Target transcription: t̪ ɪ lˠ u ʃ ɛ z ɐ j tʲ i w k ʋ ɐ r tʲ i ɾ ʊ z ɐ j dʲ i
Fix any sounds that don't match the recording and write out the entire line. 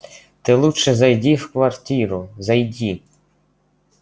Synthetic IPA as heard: t̪ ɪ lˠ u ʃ ɛ z ɐ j dʲ i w k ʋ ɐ r tʲ i ɾ ʊ z ɐ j dʲ i